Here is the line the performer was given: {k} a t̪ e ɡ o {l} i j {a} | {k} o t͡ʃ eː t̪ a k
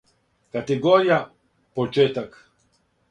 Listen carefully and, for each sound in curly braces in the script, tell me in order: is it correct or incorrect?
correct, incorrect: ɾ, correct, incorrect: p

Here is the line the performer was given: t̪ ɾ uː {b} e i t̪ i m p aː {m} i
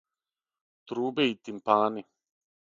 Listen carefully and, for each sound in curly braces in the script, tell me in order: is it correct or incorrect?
correct, incorrect: n

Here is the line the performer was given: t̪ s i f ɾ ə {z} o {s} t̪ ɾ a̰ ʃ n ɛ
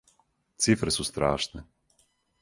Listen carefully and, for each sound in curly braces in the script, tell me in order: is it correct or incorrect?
incorrect: s, correct

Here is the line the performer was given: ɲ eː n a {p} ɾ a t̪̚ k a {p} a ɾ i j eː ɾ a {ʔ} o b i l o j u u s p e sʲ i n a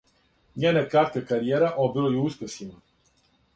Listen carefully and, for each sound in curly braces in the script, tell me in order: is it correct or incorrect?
incorrect: k, incorrect: k, correct

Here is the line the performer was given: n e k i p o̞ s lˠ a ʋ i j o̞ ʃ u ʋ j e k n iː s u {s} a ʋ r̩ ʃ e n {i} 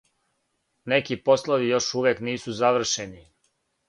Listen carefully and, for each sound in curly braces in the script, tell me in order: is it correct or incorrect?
incorrect: z, correct

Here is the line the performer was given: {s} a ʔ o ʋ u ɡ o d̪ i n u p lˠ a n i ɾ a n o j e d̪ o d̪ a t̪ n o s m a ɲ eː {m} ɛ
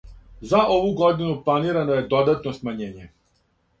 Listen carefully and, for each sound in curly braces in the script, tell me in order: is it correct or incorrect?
incorrect: z, incorrect: ɲ

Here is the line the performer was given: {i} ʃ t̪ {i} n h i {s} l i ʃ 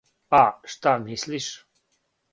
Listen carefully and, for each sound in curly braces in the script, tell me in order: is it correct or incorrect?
incorrect: a, incorrect: a, correct

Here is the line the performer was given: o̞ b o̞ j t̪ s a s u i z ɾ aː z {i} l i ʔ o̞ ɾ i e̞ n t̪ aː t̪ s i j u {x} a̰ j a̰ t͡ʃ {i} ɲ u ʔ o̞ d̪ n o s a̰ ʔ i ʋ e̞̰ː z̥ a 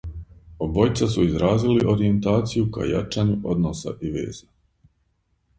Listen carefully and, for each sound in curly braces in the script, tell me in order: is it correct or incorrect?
correct, incorrect: k, incorrect: a

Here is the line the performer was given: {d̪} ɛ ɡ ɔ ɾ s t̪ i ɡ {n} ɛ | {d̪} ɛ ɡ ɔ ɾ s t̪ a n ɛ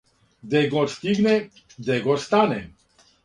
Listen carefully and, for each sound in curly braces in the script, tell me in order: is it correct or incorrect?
correct, correct, correct

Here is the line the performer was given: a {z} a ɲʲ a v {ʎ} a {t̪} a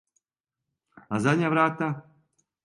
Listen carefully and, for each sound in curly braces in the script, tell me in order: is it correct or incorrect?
correct, incorrect: ɾ, correct

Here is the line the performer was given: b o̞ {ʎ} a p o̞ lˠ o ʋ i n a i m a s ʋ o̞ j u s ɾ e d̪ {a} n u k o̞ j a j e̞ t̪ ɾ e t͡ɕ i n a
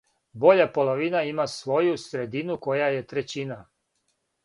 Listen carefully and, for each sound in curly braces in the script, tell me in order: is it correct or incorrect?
correct, incorrect: i

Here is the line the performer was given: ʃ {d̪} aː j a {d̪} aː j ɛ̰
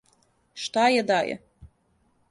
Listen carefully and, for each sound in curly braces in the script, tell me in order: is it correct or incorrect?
incorrect: t̪, correct

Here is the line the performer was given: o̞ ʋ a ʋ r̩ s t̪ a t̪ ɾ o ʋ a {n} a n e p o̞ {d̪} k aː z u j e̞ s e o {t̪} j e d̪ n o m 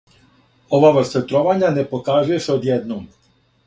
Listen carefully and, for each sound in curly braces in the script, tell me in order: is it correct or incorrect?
incorrect: ɲ, incorrect: none, incorrect: d̪

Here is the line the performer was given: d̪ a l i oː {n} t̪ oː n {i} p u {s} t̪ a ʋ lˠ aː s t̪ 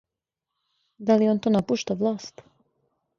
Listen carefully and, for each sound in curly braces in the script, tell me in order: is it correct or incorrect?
correct, incorrect: a, incorrect: ʃ

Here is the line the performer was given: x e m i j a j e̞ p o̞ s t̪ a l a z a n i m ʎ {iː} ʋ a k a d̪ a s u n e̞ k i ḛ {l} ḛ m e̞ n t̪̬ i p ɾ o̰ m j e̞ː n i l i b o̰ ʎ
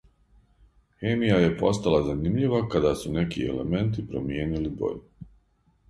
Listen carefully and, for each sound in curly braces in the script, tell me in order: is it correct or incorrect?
incorrect: i, correct

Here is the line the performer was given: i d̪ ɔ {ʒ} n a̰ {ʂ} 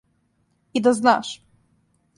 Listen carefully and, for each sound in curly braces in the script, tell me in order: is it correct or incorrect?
incorrect: z, correct

